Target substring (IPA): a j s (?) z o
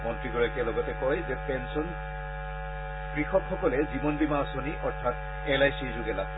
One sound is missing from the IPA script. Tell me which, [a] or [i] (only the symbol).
i